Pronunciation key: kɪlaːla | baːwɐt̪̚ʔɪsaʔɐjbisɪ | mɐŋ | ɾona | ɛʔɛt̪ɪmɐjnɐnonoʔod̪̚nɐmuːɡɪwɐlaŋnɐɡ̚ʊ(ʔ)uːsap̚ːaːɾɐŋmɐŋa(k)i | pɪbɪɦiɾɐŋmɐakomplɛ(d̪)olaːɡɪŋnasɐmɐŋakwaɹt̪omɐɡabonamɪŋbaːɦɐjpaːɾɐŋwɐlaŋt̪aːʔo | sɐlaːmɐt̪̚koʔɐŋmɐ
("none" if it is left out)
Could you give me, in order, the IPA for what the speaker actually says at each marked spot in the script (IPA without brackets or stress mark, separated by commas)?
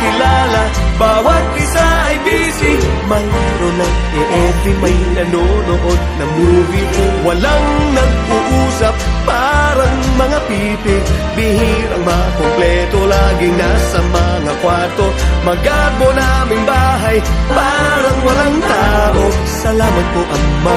ʔ, p, t̪